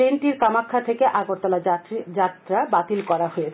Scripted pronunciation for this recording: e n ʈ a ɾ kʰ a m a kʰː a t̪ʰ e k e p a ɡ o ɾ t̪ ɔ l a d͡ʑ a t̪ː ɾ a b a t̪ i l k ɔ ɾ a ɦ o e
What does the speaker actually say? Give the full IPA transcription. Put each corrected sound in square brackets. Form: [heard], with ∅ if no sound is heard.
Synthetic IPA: e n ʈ [i] ɾ [k] a m a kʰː a t̪ʰ e k e [ʔ] a ɡ o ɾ t̪ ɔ l a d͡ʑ a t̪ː ɾ a b a t̪ i l k ɔ ɾ a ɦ o e